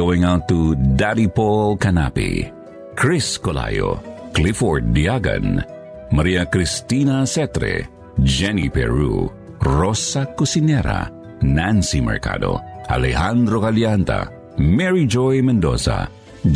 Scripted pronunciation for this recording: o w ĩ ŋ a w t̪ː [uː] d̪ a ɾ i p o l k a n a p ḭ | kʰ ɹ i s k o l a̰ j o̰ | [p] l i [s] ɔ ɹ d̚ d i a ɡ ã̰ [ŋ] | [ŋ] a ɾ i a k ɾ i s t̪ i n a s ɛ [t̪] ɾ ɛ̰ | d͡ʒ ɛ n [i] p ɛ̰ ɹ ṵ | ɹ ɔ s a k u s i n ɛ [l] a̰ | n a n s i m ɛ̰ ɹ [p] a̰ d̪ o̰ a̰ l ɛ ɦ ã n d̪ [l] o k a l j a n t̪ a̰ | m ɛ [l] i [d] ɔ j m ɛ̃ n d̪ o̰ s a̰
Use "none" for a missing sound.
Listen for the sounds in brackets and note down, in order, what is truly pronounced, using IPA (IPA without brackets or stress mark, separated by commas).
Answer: u, k, f, n, m, t̪, i, ɾ, k, ɾ, ɹ, d͡ʒ